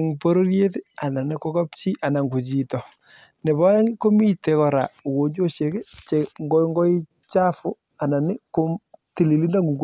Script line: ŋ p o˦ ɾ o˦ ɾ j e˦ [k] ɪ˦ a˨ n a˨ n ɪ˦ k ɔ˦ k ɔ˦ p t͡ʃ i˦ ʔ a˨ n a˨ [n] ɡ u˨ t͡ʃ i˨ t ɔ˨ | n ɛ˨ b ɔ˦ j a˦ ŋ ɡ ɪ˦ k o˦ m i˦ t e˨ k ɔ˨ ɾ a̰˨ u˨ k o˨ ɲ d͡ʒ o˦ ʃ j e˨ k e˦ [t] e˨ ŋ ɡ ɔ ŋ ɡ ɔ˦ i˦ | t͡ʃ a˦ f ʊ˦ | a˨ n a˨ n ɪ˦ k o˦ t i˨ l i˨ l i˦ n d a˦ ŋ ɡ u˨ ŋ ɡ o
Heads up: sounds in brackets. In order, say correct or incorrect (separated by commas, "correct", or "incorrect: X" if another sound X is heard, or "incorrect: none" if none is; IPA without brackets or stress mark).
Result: incorrect: t, incorrect: ŋ, incorrect: t͡ʃ